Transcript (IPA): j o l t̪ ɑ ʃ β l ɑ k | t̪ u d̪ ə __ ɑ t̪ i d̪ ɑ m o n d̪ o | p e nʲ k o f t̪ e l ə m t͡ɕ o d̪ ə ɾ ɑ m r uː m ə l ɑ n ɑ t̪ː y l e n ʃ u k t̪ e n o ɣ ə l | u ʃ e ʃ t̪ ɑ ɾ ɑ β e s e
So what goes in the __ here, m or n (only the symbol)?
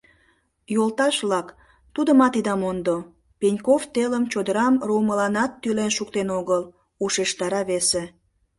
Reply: m